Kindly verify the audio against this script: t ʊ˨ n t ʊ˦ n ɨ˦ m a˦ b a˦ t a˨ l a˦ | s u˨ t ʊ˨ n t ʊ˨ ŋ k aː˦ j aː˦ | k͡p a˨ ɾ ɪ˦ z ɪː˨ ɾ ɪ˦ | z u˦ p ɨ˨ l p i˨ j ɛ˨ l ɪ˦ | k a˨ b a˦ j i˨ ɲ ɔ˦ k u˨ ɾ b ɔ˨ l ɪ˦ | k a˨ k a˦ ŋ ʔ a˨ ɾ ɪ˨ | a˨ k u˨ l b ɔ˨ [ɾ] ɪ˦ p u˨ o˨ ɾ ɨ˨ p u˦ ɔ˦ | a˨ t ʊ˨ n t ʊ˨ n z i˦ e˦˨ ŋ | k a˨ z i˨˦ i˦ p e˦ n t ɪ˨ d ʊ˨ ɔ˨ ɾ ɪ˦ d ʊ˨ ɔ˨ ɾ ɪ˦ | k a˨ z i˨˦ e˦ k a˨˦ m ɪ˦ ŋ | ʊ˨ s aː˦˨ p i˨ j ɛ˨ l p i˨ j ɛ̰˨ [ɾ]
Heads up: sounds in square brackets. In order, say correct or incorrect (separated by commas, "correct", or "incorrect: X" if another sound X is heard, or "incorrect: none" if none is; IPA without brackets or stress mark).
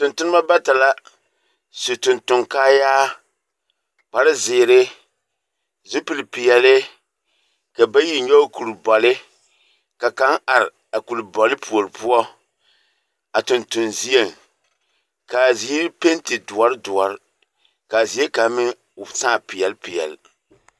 incorrect: l, incorrect: l